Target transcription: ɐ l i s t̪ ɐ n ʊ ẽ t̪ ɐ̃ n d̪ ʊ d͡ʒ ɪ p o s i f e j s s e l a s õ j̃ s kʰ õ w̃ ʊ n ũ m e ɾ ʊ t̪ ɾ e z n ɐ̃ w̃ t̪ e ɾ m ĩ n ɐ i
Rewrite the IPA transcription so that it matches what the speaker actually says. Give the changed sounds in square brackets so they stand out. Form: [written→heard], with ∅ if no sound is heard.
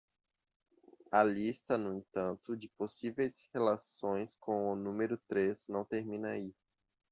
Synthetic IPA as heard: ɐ l i s t̪ ɐ n ʊ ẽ t̪ ɐ̃ n [d̪→t̪] ʊ d͡ʒ ɪ p o s i [f→v] e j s [s→h] e l a s õ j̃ s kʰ õ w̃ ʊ n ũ m e ɾ ʊ t̪ ɾ e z n ɐ̃ w̃ t̪ e ɾ m ĩ n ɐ i